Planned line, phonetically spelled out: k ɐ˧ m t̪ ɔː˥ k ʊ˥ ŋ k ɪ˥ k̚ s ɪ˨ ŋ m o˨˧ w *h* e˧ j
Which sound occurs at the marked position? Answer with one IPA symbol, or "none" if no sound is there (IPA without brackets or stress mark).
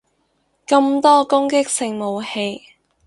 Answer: h